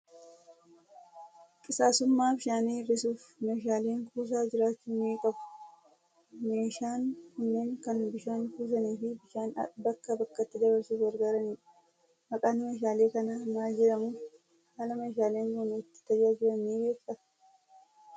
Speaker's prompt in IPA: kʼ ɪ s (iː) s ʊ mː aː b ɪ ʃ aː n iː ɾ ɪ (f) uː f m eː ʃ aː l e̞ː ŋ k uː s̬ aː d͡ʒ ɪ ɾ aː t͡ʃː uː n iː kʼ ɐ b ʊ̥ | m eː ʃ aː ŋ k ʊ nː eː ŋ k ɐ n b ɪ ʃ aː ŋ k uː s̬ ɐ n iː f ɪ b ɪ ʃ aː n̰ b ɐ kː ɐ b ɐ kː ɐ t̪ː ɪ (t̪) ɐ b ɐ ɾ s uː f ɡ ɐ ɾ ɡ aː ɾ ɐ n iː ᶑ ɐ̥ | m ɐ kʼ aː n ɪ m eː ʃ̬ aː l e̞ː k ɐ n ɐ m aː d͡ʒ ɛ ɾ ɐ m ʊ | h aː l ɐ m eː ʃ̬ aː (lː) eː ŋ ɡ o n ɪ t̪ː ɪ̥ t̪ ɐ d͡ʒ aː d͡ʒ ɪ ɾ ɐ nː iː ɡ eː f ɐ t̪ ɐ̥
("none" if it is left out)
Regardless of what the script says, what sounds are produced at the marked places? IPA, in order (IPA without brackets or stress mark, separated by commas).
aː, s, d̪, l